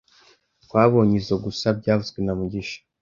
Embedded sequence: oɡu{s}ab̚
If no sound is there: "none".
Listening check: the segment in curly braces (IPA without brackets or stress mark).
s